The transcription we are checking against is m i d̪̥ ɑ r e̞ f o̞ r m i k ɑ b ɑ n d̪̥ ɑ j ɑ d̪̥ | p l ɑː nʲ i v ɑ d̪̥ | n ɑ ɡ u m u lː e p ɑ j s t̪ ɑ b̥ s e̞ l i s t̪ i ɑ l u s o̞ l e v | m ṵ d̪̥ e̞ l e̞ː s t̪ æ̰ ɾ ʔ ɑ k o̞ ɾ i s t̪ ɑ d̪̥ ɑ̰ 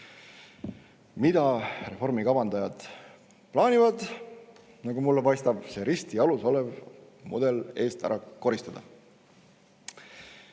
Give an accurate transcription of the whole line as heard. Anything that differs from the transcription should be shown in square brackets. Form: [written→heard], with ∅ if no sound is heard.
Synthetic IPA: m i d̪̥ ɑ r e̞ f o̞ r m i k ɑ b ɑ n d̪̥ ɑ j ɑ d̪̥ | p l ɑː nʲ i v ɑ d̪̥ | n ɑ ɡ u m u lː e p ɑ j s t̪ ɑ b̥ s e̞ [l→ɾ] i s t̪ i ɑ l u s o̞ l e v | m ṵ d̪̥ e̞ l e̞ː s t̪ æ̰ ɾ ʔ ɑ k o̞ ɾ i s t̪ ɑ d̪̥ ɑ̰